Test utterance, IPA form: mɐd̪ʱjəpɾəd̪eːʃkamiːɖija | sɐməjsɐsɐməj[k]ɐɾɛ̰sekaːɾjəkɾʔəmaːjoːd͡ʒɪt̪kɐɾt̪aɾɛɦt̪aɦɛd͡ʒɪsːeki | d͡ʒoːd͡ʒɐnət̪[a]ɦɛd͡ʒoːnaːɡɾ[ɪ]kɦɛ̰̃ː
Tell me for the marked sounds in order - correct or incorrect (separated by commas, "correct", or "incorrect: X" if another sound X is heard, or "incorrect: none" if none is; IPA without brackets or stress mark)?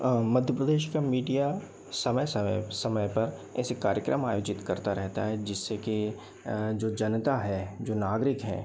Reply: incorrect: p, correct, correct